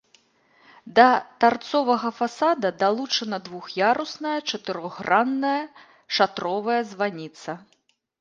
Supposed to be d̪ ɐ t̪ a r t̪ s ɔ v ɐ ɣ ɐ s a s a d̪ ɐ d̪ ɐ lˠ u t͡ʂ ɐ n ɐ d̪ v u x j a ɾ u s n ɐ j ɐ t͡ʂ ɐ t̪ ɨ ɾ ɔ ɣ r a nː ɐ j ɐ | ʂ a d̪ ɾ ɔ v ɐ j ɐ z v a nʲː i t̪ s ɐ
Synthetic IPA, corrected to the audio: d̪ ɐ t̪ a r t̪ s ɔ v ɐ ɣ ɐ f a s a d̪ ɐ d̪ a lˠ u t͡ʂ ɐ n ɐ d̪ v u x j a ɾ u s n ɐ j ɐ t͡ʂ ɐ t̪ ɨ ɾ ɔ ɣ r a nː ɐ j ɐ | ʂ a t̪ ɾ ɔ v ɐ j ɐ z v a nʲ i t̪ s ɐ